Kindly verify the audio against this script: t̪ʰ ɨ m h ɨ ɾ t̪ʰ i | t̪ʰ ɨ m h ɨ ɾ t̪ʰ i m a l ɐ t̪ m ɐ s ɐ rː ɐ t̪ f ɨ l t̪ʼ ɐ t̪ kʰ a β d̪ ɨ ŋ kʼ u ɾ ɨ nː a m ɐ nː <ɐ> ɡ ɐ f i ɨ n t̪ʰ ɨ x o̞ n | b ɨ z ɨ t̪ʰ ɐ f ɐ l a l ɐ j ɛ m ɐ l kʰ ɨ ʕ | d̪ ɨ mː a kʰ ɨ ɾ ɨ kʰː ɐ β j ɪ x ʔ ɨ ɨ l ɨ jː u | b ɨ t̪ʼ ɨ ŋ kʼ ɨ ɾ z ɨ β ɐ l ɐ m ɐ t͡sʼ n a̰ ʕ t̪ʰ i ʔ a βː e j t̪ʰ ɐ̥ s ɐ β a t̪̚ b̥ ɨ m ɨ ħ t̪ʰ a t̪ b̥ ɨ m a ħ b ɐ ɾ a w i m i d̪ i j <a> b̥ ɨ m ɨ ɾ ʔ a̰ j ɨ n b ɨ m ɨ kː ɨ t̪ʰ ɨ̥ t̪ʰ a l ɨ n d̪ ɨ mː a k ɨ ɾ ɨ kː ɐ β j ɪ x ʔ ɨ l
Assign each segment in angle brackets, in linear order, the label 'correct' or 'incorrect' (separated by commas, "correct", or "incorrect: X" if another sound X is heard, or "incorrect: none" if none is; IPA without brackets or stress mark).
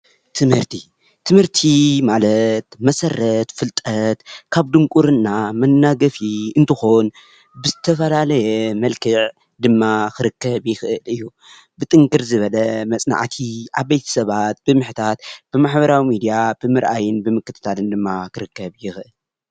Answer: incorrect: a, correct